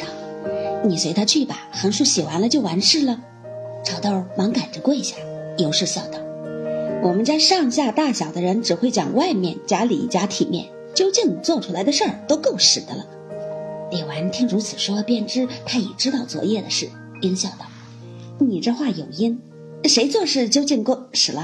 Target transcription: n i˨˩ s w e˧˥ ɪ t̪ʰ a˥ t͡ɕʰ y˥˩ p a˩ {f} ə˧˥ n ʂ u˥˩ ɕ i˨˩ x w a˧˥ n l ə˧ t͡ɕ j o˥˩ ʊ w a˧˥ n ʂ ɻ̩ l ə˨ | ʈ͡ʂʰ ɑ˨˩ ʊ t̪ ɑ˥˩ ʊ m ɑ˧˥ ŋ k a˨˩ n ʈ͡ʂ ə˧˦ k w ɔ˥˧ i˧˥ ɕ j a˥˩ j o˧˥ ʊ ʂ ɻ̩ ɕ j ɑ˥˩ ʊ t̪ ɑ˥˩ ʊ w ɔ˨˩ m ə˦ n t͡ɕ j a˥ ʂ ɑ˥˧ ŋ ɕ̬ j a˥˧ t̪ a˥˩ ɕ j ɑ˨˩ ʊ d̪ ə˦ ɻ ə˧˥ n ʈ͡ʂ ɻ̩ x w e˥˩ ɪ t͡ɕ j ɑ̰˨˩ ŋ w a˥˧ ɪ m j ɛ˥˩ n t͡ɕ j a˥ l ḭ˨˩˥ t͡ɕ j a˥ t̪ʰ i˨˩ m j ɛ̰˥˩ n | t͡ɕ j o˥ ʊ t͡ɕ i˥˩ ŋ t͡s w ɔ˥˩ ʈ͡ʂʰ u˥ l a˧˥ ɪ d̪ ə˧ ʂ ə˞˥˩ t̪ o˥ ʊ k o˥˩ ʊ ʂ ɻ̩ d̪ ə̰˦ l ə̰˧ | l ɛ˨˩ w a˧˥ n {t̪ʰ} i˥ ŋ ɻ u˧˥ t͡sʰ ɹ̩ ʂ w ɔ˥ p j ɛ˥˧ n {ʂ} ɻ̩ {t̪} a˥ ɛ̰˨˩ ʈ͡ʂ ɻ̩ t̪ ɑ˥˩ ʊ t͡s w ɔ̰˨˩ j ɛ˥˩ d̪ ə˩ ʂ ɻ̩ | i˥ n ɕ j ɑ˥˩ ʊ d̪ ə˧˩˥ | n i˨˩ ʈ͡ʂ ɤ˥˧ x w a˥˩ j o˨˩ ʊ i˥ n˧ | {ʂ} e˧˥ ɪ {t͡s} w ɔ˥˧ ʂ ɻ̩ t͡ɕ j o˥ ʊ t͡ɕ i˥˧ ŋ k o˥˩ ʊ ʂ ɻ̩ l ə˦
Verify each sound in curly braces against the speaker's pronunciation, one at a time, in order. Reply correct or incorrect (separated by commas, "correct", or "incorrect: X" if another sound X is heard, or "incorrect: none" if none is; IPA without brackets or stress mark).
incorrect: x, correct, incorrect: ʈ͡ʂ, incorrect: t̪ʰ, correct, correct